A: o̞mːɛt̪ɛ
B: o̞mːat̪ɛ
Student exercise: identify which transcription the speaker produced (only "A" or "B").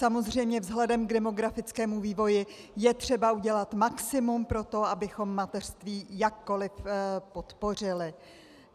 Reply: B